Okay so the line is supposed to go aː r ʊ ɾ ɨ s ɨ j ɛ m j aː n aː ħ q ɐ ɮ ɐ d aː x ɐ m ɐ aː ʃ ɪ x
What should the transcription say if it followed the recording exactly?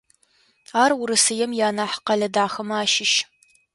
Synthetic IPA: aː r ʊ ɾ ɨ s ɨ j ɛ m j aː n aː ħ q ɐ ɮ ɐ d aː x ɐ m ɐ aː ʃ ɪ ʃ